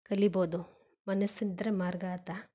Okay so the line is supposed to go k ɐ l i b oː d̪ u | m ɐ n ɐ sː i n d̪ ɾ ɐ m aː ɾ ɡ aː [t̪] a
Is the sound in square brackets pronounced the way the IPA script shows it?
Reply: yes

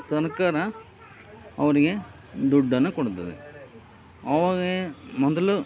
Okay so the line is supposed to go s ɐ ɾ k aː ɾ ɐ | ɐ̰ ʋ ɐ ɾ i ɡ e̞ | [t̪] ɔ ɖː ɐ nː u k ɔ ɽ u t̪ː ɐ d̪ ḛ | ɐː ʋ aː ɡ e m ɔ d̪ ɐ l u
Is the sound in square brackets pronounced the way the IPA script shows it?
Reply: no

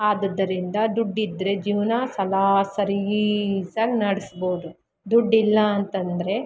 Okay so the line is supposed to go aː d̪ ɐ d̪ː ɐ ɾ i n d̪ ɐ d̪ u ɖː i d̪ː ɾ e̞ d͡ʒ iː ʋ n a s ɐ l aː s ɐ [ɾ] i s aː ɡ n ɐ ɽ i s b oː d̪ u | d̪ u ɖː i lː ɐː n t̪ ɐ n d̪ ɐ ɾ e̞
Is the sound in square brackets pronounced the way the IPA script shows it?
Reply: yes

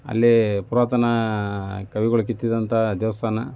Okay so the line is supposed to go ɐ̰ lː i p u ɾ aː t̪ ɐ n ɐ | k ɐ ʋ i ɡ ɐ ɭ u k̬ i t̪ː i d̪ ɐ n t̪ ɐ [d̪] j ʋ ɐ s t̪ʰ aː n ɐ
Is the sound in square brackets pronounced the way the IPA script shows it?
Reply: yes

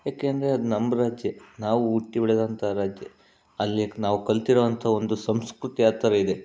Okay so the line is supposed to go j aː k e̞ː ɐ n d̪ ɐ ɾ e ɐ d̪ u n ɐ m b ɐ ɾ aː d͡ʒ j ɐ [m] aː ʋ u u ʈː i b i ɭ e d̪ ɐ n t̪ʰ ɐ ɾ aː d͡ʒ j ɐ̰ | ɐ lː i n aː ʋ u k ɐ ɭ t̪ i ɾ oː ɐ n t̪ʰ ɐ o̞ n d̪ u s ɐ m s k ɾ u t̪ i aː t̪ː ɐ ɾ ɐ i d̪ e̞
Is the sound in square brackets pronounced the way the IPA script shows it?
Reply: no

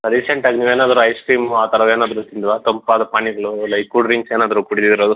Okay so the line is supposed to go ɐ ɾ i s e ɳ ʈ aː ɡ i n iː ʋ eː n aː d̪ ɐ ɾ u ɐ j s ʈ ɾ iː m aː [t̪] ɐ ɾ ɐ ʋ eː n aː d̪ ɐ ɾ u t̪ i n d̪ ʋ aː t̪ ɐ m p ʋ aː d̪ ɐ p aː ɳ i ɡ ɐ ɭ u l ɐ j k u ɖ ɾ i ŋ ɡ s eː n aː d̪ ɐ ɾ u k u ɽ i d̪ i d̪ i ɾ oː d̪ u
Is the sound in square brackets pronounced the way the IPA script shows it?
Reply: yes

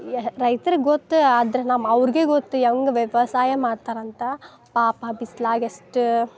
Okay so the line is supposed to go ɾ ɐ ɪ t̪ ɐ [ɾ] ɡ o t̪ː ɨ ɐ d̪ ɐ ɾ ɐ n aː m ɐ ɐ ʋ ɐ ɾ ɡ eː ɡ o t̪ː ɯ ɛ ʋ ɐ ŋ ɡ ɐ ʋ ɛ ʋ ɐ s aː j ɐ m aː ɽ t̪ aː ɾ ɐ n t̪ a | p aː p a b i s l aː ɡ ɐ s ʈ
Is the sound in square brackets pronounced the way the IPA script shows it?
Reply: yes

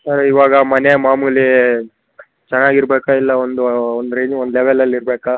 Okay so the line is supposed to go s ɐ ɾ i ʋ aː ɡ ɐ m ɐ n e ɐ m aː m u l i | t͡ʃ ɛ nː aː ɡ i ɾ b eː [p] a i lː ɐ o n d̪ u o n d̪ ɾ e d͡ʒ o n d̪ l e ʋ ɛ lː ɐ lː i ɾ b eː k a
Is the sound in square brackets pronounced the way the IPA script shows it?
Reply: no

